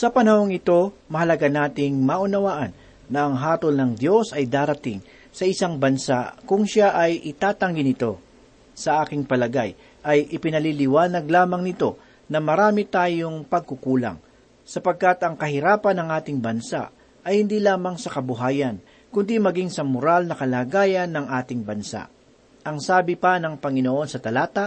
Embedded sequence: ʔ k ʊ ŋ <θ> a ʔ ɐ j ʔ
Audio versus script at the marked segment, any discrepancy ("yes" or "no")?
yes